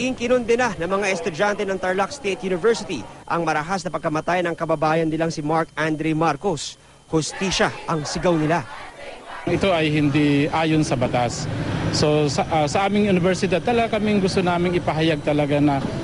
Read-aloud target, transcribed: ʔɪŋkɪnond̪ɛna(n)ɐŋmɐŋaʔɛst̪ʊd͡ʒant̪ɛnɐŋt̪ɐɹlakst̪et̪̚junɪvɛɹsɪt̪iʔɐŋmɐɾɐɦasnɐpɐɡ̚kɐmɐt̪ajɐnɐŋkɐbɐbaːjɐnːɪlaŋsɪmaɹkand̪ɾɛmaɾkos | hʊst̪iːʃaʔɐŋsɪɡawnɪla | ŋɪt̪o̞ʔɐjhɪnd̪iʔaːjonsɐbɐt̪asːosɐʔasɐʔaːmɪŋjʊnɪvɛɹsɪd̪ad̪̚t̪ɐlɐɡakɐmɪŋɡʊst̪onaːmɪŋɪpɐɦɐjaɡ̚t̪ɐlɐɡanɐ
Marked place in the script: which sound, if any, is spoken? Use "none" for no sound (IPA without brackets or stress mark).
n